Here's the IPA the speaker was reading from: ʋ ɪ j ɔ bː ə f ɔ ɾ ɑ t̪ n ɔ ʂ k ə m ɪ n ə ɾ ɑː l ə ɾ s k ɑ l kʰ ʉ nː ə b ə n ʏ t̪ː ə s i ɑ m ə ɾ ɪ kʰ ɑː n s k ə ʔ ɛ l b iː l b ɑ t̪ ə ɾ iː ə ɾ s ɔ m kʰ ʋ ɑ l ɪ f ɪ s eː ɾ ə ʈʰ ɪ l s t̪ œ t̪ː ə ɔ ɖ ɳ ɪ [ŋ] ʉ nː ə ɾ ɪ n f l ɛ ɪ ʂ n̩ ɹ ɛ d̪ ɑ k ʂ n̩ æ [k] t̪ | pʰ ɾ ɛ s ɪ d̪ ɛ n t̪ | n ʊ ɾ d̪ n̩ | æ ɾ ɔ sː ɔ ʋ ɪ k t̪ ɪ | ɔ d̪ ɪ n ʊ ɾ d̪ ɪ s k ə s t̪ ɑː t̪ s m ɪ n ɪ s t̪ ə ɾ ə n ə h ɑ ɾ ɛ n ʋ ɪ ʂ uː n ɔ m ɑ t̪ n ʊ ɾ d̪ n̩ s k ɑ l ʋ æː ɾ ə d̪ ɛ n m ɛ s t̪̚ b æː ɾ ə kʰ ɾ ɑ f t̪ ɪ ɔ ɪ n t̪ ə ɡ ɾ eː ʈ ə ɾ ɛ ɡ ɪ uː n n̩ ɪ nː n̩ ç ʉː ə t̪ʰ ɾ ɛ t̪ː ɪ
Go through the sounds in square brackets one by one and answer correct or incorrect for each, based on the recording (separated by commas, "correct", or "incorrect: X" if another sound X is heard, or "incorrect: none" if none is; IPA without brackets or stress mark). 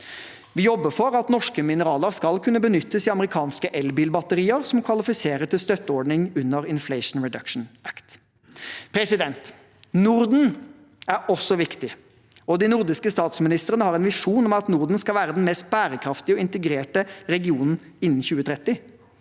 correct, correct